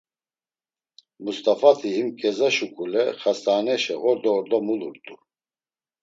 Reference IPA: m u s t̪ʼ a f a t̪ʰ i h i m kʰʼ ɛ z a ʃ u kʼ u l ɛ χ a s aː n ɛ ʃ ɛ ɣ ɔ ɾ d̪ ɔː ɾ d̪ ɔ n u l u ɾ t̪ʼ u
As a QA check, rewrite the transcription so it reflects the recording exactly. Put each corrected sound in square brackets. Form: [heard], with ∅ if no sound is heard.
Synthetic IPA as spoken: m u s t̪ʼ a f a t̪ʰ i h i m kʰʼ ɛ z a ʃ u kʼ u l ɛ χ a s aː n ɛ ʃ ɛ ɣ ɔ ɾ d̪ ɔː ɾ d̪ ɔ [m] u l u ɾ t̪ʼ u